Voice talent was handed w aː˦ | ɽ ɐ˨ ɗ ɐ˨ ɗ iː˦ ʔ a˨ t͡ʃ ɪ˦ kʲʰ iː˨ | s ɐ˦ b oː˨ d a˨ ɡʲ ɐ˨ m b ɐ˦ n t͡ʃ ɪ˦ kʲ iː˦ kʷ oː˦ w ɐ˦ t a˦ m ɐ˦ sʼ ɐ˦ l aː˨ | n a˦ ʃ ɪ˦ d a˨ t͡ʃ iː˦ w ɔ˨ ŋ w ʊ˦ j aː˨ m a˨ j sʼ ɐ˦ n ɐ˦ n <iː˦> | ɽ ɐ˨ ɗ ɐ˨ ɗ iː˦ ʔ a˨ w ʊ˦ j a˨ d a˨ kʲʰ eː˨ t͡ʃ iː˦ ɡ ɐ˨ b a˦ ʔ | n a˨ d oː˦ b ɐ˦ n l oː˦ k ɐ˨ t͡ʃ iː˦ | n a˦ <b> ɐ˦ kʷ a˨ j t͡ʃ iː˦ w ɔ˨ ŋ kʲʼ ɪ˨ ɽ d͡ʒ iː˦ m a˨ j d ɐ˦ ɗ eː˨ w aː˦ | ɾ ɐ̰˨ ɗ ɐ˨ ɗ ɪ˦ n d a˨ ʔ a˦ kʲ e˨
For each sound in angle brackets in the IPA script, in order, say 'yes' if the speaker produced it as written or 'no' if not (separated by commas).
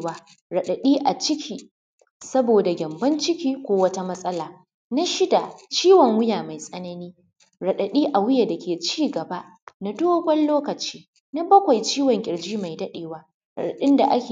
yes, yes